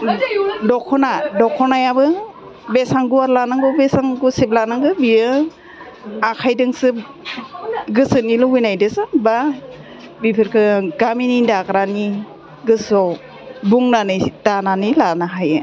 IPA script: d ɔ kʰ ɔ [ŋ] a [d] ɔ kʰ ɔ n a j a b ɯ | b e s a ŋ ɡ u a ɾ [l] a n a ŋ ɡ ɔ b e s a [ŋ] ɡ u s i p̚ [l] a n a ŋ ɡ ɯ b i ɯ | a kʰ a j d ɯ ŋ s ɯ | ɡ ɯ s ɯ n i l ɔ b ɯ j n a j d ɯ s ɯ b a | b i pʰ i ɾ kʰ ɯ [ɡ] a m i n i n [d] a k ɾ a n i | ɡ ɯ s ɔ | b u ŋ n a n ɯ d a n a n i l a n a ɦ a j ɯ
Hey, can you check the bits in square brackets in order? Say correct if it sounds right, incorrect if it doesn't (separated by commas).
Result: incorrect, correct, correct, correct, correct, correct, correct